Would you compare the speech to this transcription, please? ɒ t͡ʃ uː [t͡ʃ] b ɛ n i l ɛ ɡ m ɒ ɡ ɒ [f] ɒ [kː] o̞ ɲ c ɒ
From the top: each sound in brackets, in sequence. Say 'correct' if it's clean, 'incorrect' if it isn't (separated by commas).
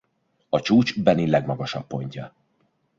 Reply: correct, incorrect, incorrect